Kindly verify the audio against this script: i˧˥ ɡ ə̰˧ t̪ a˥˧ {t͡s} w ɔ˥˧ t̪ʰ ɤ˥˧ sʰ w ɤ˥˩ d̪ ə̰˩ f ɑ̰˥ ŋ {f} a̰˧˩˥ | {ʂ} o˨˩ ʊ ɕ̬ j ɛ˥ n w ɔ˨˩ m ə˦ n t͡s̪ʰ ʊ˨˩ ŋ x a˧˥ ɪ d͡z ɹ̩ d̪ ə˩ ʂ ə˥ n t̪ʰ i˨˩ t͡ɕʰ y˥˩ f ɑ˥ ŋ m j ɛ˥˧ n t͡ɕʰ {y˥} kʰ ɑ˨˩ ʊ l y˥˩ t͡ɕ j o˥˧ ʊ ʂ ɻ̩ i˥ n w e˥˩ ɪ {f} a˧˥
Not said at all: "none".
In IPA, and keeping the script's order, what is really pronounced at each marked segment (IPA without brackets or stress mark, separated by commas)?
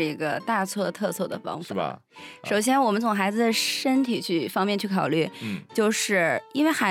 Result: t͡sʰ, f, ʂ, y˥˩, x